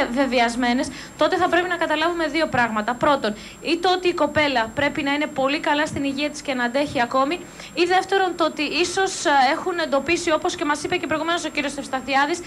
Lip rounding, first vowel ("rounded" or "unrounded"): unrounded